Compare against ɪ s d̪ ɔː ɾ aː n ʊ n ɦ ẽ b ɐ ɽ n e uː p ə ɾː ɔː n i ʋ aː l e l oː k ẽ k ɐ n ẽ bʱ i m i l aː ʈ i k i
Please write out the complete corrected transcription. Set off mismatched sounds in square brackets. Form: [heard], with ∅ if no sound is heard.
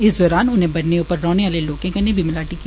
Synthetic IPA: ɪ s d̪ ɔː ɾ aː n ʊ n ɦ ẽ b ɐ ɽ n e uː p ə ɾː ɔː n [e] ʋ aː l e l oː k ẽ k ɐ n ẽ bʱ i m [ɪ] l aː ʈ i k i